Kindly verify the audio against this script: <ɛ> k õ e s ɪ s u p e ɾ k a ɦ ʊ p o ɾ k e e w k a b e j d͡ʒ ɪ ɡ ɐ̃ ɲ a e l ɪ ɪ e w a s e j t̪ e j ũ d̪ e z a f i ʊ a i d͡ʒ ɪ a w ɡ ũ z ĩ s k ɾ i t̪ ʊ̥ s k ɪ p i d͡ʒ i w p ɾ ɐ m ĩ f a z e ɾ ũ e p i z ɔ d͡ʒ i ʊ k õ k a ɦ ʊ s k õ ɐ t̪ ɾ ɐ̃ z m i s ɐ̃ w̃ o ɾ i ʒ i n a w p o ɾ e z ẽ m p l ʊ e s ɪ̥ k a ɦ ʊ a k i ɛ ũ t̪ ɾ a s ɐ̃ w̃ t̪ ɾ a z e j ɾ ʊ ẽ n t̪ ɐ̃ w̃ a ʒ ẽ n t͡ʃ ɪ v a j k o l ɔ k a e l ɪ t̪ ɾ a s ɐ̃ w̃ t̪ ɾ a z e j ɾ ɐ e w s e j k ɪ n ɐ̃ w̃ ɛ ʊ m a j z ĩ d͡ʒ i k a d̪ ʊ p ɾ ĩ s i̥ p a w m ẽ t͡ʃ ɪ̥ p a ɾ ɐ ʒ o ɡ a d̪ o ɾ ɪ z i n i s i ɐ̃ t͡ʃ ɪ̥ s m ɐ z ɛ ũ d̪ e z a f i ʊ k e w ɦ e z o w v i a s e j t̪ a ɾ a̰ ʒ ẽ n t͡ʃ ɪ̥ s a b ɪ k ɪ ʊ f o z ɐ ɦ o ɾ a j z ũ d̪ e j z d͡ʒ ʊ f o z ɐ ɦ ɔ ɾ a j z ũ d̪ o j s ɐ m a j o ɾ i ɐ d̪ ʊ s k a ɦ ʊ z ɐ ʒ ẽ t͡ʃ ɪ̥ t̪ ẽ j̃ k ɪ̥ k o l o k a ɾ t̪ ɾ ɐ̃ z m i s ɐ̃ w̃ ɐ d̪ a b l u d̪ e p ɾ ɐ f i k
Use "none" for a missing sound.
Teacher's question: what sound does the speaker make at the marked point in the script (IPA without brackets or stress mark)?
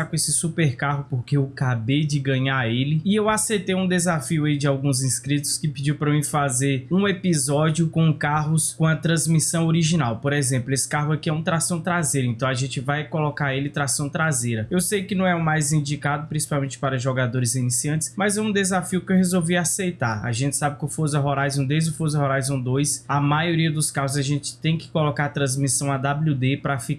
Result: a